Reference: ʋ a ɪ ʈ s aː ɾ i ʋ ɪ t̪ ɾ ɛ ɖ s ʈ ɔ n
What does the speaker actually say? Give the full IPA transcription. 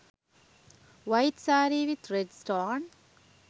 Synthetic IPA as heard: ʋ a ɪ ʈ s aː ɾ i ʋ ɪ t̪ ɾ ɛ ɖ s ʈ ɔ n

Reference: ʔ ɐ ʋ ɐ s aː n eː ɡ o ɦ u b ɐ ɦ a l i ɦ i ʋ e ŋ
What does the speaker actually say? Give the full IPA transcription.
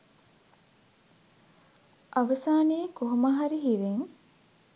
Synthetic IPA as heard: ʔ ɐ ʋ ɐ s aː n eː k o ɦ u m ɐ ɦ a ɾ i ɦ i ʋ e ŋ

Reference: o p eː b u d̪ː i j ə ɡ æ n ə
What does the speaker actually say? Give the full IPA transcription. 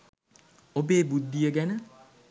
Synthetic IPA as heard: o b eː b u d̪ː i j ə ɡ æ n ə

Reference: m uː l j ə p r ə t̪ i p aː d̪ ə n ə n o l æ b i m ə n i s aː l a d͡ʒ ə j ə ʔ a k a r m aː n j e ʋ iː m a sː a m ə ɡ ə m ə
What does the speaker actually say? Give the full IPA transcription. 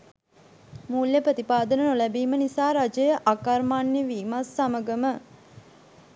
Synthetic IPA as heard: m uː l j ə p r ə t̪ i p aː d̪ ə n ə n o l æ b iː m ə n i s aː ɾ a d͡ʒ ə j ə ʔ a k a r m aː n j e ʋ iː m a sː a m ə ɡ ə m ə

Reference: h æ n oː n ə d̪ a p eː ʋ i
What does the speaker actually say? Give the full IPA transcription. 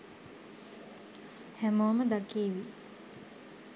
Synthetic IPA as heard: h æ m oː m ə d̪ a k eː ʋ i

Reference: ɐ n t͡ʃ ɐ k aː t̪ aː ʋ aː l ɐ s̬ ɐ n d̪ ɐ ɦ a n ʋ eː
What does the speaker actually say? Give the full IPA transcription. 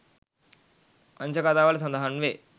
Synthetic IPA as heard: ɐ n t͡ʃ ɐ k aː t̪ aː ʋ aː l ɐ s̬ ɐ n d̪ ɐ ɦ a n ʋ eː

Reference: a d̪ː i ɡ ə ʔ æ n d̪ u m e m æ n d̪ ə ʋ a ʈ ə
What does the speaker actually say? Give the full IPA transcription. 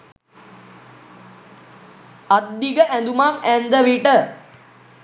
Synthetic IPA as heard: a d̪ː i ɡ ə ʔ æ n d̪ u m a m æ n d̪ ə ʋ i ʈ ə

